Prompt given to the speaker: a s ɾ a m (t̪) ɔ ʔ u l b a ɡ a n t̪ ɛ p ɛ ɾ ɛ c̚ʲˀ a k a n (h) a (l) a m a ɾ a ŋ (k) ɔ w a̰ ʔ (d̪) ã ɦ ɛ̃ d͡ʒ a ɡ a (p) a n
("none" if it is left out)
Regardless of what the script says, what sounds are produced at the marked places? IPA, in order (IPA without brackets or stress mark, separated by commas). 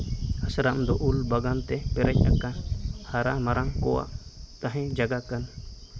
d̪, h, ɾ, k, t̪, k